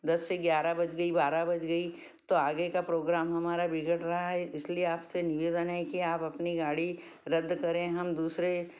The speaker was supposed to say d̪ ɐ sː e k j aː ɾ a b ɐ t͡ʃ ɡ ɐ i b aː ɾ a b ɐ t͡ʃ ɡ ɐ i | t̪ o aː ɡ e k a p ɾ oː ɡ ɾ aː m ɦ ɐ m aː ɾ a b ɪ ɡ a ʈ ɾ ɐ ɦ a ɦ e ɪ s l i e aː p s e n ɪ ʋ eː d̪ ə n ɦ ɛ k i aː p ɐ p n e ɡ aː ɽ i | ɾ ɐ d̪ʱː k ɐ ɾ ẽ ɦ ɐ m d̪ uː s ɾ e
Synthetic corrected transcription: d̪ ɐ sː e ɡ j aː ɾ a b ɐ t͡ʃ ɡ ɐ i b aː ɾ a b ɐ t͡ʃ ɡ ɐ i | t̪ o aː ɡ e k a p ɾ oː ɡ ɾ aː m ɦ ɐ m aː ɾ a b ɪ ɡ ə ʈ ɾ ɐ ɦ a ɦ ɛ ɪ s l i e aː p s e n ɪ ʋ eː d̪ ə n ɦ ɛ k i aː p ɐ p n i ɡ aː ɽ i | ɾ ɐ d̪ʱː k ɐ ɾ ẽ ɦ ɐ m d̪ uː s ɾ e

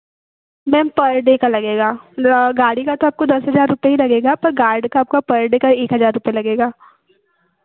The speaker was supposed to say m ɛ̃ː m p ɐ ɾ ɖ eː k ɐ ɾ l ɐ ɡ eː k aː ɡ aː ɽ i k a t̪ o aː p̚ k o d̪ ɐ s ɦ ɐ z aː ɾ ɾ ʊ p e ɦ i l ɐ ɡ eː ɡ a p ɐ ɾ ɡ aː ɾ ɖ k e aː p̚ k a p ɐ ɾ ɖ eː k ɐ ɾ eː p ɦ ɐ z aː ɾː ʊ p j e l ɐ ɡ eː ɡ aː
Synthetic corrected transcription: m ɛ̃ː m p ɐ ɾ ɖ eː k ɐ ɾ l ɐ ɡ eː ɡ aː ɡ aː ɽ i k a t̪ o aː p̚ k o d̪ ɐ s ɦ ɐ z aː ɾ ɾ ʊ p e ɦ i l ɐ ɡ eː ɡ a p ɐ ɾ ɡ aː ɾ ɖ k a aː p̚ k a p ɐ ɾ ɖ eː k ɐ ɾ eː k ɦ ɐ z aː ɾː ʊ p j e l ɐ ɡ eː ɡ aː

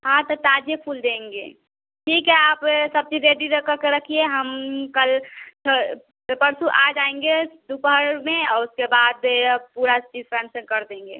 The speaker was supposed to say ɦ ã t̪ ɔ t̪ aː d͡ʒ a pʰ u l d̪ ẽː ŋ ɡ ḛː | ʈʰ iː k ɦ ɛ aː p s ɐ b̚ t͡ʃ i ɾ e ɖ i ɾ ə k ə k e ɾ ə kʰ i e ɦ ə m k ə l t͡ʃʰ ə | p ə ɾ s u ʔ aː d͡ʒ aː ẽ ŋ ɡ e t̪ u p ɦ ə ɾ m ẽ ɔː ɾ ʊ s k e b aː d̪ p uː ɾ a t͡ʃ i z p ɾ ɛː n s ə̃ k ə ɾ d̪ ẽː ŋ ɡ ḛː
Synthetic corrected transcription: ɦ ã t̪ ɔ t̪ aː d͡ʒ e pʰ u l d̪ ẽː ŋ ɡ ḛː | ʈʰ iː k ɦ ɛ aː p s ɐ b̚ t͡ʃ i ɾ e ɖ i ɾ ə k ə k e ɾ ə kʰ i e ɦ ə m k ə l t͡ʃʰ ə | p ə ɾ s u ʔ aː d͡ʒ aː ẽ ŋ ɡ e d̪ u p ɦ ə ɾ m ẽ ɔː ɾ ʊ s k e b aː d̪ p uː ɾ a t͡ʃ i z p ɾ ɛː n s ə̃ k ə ɾ d̪ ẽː ŋ ɡ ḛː

